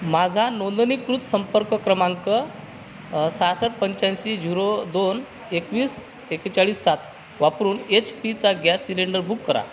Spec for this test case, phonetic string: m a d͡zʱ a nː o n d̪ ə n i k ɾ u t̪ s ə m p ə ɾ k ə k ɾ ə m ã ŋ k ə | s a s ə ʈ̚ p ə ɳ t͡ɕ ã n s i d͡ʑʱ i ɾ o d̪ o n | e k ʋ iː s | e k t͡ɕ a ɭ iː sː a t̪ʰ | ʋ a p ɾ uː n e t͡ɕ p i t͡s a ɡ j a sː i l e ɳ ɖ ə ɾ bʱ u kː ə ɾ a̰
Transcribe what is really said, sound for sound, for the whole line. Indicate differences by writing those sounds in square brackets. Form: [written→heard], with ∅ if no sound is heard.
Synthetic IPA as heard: m a d͡zʱ a [nː→n] o n d̪ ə n i k ɾ u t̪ s ə m p ə ɾ k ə k ɾ ə m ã ŋ k ə | s a s ə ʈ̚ p ə [ɳ→ɲ] t͡ɕ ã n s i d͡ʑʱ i ɾ o d̪ o n | e k ʋ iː s | e k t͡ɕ a ɭ iː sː a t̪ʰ | ʋ a p ɾ uː n e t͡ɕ p i t͡s a ɡ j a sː i l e ɳ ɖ ə ɾ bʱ u kː ə ɾ a̰

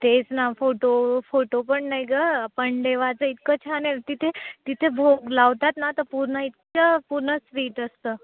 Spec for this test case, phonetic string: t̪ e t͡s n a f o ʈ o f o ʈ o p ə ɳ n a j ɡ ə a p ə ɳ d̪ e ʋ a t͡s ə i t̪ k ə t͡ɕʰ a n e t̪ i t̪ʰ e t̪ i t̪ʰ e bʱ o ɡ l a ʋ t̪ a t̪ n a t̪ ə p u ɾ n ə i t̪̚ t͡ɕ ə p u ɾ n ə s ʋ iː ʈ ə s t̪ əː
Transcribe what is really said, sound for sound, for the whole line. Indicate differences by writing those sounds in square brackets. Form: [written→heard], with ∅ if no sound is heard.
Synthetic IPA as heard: t̪ e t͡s n a f o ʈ o f o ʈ o p ə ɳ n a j ɡ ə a p ə ɳ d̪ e ʋ a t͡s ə i t̪ k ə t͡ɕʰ a n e t̪ i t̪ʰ e t̪ i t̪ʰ e bʱ o ɡ l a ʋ t̪ a t̪ n a t̪ ə p u ɾ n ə i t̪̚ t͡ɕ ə p u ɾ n ə s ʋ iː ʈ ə s t̪ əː

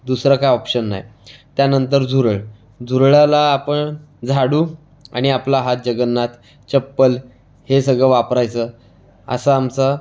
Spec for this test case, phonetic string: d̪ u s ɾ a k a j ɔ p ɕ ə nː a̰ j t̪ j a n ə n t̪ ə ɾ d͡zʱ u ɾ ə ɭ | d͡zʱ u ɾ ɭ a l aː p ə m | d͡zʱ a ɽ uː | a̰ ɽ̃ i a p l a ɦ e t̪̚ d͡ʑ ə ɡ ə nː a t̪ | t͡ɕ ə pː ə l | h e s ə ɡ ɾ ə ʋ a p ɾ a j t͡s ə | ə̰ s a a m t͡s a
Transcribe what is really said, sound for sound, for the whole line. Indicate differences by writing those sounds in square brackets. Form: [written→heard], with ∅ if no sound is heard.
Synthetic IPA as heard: d̪ u s ɾ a k a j ɔ p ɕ ə nː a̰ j t̪ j a n ə n t̪ ə ɾ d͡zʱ u ɾ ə ɭ | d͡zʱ u ɾ ɭ a l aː p ə [m→ɳ] | d͡zʱ a ɽ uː | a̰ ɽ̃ i a p l a ɦ [e→a] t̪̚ d͡ʑ ə ɡ ə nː a t̪ | t͡ɕ ə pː ə l | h e s ə ɡ [ɾ→ɭ] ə ʋ a p ɾ a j t͡s ə | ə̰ s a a m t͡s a

